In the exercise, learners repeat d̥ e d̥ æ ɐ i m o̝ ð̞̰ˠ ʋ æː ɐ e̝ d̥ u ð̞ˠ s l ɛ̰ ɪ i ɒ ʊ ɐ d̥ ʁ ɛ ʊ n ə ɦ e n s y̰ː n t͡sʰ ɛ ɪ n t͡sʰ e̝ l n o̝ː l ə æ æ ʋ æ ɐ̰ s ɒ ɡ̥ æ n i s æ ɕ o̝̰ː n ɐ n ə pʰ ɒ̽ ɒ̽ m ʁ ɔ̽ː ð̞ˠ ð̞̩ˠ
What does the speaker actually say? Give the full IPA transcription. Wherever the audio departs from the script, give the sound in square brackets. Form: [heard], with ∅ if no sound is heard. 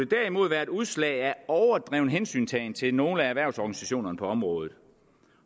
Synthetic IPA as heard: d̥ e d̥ æ ɐ i m o̝ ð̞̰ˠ ʋ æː ɐ e̝ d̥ u ð̞ˠ s l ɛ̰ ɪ [æ] ɒ ʊ ɐ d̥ ʁ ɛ ʊ n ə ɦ e n s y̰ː n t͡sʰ ɛ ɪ n t͡sʰ e̝ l n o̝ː l ə æ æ ʋ æ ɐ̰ s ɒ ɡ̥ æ n i s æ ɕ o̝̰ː n ɐ n ə pʰ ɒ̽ ɒ̽ m ʁ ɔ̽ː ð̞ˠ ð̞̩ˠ